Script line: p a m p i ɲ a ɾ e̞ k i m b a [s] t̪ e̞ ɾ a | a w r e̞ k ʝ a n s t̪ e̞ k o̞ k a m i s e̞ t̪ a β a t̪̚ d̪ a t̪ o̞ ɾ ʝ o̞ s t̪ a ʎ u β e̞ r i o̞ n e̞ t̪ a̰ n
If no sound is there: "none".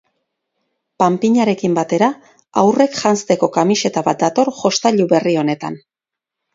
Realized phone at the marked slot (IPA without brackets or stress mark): none